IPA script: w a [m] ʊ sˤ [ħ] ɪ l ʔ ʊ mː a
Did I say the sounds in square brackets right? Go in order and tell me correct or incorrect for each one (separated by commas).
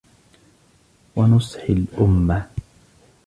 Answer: incorrect, correct